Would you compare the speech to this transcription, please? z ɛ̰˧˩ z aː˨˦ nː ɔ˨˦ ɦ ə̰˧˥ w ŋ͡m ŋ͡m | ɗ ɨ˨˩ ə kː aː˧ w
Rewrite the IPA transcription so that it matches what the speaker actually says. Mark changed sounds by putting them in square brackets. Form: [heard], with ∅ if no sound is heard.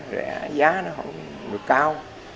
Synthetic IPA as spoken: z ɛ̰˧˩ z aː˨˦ [n] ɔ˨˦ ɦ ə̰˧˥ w ŋ͡m ŋ͡m | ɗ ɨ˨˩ ə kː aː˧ w